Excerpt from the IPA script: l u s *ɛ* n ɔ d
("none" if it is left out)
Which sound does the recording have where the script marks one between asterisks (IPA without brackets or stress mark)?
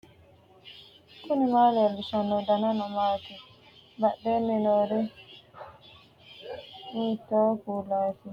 a